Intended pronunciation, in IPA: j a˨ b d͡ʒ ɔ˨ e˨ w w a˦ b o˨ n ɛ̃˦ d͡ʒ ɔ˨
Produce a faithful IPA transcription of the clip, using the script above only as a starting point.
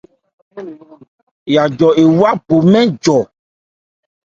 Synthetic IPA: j a˨ d͡ʒ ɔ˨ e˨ w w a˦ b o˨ m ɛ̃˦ d͡ʒ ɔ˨